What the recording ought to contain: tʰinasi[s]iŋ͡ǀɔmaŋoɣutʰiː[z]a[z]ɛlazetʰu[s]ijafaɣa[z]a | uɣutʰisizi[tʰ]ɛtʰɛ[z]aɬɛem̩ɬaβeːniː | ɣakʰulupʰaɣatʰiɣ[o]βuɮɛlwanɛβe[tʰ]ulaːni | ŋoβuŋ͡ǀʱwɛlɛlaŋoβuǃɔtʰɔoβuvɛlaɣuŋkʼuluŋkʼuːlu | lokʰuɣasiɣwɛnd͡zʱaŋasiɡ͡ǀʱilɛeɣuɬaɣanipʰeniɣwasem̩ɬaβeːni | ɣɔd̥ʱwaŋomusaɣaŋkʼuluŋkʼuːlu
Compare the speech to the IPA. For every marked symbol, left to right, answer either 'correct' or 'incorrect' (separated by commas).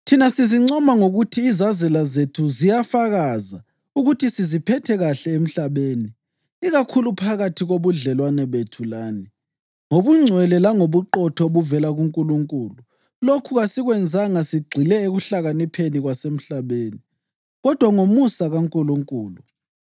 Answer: incorrect, correct, correct, incorrect, correct, incorrect, incorrect, correct, correct